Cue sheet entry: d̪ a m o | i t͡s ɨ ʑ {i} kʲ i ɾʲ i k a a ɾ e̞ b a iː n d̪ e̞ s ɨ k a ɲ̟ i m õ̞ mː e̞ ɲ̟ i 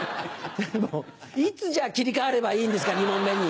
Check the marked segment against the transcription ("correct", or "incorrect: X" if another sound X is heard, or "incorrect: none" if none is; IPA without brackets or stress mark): incorrect: a